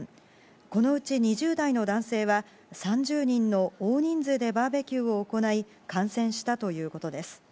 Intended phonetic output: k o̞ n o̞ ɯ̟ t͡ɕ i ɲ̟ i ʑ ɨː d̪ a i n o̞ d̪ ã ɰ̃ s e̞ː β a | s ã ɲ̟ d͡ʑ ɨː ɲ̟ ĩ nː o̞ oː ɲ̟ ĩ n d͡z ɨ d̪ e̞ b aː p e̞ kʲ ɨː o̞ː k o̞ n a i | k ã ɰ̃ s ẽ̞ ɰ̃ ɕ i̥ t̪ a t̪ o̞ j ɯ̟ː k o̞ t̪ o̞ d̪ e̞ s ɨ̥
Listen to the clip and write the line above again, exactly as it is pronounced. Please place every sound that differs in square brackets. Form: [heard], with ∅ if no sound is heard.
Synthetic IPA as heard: k o̞ n o̞ ɯ̟ t͡ɕ i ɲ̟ i ʑ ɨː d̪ a i n o̞ d̪ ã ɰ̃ s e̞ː β a | s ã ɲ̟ d͡ʑ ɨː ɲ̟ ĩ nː o̞ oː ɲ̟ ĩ n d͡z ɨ d̪ e̞ b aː [b] e̞ kʲ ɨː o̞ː k o̞ n a i | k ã ɰ̃ s ẽ̞ ɰ̃ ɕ i̥ t̪ a t̪ o̞ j ɯ̟ː k o̞ t̪ o̞ d̪ e̞ s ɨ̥

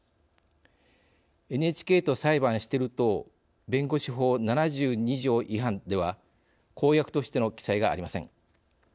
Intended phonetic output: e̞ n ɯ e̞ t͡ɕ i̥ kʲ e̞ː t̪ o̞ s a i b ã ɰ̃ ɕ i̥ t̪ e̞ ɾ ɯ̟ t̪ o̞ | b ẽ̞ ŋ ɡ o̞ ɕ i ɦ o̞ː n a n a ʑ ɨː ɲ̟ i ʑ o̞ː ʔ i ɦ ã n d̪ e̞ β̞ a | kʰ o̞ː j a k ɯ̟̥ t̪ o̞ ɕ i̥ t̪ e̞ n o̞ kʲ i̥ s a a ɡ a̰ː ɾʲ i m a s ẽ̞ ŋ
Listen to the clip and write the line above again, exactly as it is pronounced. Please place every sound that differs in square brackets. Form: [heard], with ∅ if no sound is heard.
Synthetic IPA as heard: e̞ n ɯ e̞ t͡ɕ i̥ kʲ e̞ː t̪ o̞ s a i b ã ɰ̃ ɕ i̥ t̪ e̞ ɾ ɯ̟ t̪ o̞ | b ẽ̞ ŋ ɡ o̞ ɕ i ɦ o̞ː n a n a ʑ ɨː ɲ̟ i ʑ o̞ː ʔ i ɦ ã n d̪ e̞ β̞ a | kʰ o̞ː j a k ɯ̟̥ t̪ o̞ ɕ i̥ t̪ e̞ n o̞ kʲ i̥ s a [i] ɡ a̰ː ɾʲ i m a s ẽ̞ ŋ

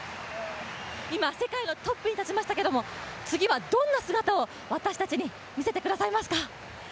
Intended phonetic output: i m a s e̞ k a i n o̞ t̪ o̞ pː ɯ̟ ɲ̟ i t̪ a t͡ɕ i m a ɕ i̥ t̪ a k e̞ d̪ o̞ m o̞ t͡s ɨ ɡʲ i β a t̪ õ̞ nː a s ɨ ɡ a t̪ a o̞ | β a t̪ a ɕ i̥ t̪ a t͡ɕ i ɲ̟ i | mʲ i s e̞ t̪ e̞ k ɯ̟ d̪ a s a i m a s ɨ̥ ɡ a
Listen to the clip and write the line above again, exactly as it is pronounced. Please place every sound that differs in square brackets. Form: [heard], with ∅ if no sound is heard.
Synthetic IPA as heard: i m a s e̞ k a i n o̞ t̪ o̞ pː ɯ̟ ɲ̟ i t̪ a t͡ɕ i m a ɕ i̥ t̪ a k e̞ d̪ o̞ m o̞ t͡s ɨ ɡʲ i β a [d̪] õ̞ nː a s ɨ ɡ a t̪ a o̞ | β a t̪ a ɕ i̥ t̪ a t͡ɕ i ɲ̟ i | mʲ i s e̞ t̪ e̞ k ɯ̟ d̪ a s a i m a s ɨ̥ [k] a

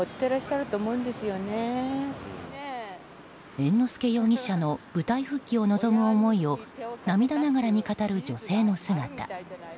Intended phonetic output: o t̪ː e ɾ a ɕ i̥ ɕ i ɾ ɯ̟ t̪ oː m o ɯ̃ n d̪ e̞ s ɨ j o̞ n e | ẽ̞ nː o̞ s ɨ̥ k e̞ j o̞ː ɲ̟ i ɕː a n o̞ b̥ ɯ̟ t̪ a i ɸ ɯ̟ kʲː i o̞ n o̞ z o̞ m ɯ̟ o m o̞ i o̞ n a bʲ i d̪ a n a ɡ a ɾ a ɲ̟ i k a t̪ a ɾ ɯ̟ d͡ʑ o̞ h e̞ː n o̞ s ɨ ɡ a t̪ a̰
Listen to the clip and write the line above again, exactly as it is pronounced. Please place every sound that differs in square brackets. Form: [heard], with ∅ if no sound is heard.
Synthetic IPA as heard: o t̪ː e ɾ a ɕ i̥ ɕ [a] ɾ ɯ̟ t̪ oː m o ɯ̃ n d̪ e̞ s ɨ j o̞ n e | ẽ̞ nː o̞ s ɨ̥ k e̞ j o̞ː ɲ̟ i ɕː a n o̞ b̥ ɯ̟ t̪ a i ɸ ɯ̟ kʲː i o̞ n o̞ z o̞ m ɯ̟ o m o̞ i o̞ n a [mʲ] i d̪ a n a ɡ a ɾ a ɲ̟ i k a t̪ a ɾ ɯ̟ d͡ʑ o̞ [s] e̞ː n o̞ s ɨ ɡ a t̪ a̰

